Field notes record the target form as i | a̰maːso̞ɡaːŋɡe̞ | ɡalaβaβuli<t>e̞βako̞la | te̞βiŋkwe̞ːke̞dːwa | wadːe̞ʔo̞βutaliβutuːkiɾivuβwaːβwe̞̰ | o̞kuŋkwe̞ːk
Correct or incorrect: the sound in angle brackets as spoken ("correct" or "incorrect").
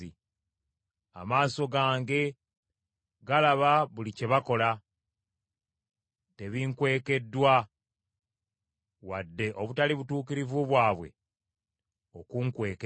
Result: incorrect